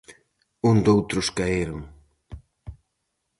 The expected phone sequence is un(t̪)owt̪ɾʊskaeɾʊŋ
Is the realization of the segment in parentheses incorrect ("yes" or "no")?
yes